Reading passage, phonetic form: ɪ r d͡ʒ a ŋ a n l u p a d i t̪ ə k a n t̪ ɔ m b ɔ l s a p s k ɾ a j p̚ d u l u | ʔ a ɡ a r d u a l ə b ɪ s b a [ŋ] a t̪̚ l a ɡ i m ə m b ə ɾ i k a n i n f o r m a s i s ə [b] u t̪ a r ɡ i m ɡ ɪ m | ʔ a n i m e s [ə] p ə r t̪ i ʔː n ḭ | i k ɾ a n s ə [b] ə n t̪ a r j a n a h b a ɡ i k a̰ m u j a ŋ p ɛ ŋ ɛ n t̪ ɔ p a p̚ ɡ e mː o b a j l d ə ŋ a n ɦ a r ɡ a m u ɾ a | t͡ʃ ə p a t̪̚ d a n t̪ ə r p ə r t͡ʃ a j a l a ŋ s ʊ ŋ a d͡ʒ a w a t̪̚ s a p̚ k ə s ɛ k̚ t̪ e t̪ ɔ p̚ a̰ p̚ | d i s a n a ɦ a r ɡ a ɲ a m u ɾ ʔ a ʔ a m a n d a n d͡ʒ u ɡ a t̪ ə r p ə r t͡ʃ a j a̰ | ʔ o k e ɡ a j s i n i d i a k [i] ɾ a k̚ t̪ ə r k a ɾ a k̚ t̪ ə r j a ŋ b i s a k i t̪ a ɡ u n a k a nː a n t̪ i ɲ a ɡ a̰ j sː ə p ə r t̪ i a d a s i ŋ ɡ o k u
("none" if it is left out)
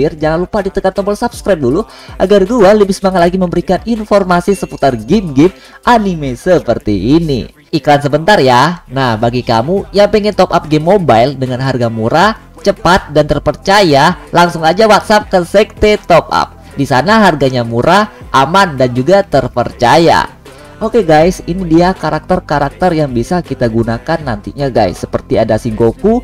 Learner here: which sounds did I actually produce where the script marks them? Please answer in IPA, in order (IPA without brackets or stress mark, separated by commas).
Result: ŋ, p, ə, b, a